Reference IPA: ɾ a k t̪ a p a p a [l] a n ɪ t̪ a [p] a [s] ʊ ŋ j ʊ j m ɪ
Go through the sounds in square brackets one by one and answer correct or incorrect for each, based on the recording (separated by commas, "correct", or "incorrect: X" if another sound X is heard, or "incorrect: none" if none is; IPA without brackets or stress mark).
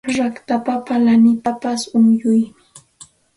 correct, correct, correct